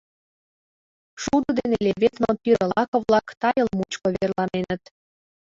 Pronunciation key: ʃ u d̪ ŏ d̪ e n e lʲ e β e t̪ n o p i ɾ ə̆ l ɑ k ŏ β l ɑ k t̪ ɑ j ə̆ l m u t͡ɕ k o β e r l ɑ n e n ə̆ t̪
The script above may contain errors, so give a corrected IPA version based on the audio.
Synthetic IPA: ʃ u d̪ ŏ d̪ e n e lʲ e β e t̪ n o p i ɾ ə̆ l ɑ k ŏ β l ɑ k t̪ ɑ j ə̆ l m u t͡ɕ k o β e r l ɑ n e n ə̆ t̪